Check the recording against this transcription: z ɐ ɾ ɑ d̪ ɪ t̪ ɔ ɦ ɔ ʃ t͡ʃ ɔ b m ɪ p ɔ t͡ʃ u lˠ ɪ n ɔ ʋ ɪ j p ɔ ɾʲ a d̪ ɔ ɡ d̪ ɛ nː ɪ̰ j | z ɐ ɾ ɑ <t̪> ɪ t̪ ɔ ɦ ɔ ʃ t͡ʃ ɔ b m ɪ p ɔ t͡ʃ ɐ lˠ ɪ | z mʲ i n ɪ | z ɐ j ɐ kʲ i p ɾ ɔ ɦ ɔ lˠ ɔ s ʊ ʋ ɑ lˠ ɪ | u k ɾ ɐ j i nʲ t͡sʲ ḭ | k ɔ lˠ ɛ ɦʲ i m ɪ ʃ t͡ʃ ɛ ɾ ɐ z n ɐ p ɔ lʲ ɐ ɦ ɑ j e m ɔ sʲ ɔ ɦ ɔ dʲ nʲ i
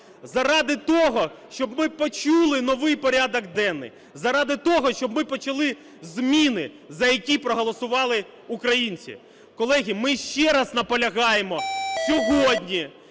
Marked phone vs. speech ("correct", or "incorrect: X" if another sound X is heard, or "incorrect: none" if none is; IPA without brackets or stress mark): incorrect: d̪